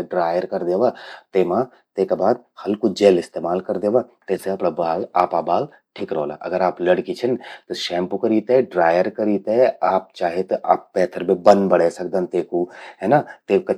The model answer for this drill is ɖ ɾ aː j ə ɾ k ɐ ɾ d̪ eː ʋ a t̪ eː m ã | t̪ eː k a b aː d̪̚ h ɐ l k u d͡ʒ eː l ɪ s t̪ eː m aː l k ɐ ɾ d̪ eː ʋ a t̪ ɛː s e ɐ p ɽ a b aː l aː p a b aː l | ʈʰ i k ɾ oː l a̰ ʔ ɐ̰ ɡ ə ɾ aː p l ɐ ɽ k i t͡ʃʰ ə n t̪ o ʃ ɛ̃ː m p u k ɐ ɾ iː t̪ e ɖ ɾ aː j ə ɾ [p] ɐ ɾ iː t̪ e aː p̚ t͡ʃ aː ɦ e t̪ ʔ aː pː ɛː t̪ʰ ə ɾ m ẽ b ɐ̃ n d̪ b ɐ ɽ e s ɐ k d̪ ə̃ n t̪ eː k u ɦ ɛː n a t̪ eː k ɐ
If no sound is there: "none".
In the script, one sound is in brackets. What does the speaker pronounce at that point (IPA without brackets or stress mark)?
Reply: k